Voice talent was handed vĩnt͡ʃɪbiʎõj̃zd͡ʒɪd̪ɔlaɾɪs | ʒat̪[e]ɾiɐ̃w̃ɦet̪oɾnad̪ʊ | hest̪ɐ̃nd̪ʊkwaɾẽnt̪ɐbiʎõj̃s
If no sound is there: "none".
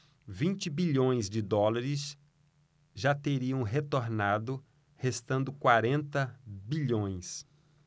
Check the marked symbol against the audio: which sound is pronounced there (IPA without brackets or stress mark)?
e